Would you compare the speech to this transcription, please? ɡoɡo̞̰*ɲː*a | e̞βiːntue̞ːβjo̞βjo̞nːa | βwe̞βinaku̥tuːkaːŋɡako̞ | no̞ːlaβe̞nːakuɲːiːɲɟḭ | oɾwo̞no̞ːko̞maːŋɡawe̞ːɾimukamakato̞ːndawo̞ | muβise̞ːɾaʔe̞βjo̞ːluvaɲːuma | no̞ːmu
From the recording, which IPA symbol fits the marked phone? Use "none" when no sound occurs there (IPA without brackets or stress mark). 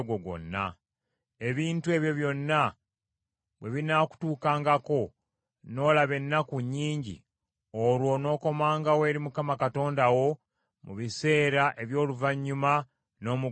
nː